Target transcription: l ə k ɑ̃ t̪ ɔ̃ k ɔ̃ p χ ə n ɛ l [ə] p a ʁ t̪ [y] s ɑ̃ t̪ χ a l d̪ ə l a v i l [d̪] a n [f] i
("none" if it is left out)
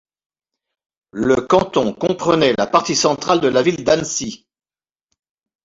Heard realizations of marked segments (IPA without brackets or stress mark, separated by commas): a, i, d̪, s